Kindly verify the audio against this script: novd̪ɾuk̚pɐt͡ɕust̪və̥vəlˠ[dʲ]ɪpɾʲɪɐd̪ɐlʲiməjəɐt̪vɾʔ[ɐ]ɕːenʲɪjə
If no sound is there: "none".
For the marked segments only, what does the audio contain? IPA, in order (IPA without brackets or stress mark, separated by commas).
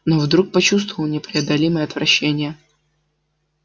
nʲ, ɐ